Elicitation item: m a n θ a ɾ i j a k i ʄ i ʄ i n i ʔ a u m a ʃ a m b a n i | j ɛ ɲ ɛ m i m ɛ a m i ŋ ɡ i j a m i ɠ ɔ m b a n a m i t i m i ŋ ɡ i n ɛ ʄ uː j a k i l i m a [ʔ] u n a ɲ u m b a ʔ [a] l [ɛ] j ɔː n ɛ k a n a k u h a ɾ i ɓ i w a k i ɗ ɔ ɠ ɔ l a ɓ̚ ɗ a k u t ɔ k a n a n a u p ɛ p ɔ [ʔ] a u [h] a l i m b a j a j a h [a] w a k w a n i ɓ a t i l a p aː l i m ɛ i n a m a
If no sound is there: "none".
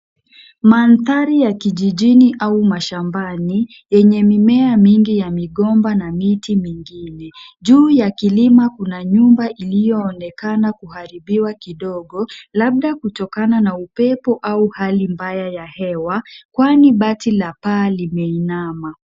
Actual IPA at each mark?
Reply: k, i, i, ʔ, h, ɛ

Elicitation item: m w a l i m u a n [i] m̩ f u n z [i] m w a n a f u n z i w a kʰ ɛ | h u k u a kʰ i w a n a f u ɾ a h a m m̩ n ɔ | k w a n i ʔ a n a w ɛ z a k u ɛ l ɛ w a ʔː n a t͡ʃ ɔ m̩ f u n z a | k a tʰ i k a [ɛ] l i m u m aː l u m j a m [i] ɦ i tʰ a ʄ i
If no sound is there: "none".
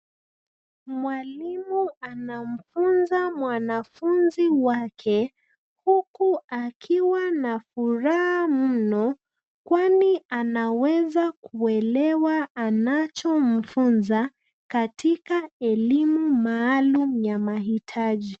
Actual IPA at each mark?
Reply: a, a, ɛ, a

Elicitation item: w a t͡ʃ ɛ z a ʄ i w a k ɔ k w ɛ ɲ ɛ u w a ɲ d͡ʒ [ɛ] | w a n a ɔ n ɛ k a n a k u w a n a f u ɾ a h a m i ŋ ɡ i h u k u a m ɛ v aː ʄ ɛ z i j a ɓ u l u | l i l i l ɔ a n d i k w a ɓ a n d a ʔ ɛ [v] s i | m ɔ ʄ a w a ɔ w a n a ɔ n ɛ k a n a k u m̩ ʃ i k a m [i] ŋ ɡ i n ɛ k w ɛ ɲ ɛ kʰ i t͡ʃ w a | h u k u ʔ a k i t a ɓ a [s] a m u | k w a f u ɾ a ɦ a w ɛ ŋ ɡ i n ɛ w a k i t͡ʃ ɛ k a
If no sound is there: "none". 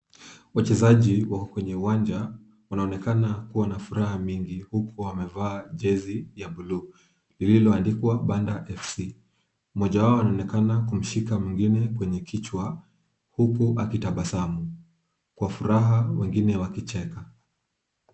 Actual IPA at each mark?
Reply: a, f, i, s

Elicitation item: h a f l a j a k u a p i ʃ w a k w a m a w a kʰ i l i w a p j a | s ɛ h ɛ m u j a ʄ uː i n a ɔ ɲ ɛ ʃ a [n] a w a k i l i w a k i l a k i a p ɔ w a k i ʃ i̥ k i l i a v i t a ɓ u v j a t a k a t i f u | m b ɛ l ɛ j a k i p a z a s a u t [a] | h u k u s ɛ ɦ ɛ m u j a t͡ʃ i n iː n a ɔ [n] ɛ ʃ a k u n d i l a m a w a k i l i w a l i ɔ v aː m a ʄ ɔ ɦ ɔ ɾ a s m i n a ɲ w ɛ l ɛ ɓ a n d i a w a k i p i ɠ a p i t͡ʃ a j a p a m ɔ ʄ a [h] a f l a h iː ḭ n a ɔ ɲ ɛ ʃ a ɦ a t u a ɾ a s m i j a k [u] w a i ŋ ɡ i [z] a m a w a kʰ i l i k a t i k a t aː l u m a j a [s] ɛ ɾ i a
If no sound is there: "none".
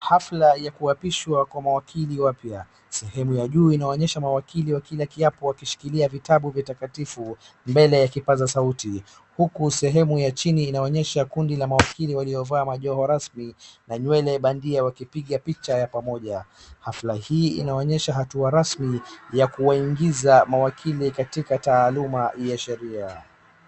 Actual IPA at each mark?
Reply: m, i, ɲ, h, u, z, ʃ

